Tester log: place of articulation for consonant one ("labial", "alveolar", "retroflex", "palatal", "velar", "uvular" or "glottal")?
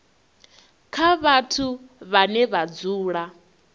velar